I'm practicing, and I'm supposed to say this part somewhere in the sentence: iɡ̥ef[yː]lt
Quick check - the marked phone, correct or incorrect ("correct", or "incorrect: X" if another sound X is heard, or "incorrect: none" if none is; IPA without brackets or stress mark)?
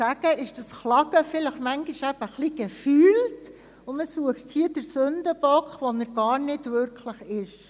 correct